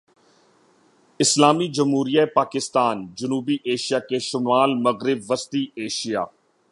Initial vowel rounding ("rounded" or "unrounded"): unrounded